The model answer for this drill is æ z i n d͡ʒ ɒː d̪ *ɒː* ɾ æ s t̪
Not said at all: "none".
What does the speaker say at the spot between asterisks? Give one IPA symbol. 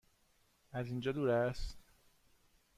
uː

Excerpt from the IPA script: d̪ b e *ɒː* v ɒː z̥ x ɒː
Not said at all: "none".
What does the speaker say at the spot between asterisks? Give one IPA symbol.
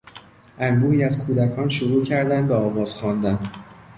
ɒː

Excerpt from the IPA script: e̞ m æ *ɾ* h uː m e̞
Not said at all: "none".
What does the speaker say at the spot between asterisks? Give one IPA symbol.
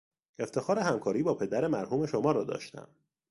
ɾ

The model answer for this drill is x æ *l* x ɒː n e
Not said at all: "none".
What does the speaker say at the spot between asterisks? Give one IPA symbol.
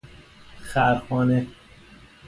ɾ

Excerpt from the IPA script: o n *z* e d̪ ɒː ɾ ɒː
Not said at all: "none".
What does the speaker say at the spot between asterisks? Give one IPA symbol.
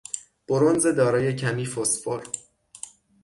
z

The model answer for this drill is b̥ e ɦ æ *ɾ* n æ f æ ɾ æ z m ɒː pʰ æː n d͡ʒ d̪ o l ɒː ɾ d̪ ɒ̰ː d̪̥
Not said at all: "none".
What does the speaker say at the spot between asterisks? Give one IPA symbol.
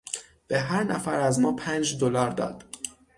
ɾ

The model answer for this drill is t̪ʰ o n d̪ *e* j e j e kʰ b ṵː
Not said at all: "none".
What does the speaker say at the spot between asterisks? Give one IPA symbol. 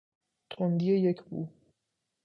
i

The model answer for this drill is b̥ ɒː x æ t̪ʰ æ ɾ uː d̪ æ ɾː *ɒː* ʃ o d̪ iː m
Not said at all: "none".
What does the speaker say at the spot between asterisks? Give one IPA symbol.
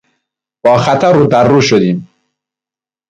uː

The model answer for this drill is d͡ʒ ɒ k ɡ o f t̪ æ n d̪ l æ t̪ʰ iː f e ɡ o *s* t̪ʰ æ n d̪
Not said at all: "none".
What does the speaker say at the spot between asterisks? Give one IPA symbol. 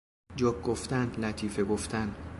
f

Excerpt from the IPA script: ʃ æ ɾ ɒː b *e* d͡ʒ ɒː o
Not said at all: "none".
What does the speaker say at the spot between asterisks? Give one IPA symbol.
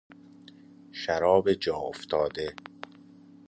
e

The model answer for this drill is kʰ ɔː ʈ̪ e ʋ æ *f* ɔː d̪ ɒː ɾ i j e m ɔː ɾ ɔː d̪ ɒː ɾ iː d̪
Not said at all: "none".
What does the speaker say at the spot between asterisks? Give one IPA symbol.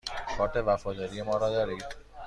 f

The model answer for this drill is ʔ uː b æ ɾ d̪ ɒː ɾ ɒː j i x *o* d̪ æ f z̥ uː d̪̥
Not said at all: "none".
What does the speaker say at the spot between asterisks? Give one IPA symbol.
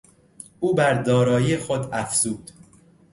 o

